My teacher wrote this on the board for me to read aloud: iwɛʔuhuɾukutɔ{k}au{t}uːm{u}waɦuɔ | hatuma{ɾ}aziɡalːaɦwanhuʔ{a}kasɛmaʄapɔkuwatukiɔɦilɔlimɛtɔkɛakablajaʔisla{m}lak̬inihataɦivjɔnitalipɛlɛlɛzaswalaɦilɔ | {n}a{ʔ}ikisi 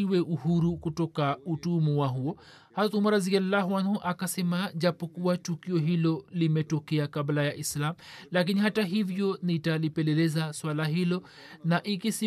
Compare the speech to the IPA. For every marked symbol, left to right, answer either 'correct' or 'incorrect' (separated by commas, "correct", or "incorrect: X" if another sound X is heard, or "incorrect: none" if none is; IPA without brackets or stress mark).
correct, correct, correct, correct, correct, correct, correct, correct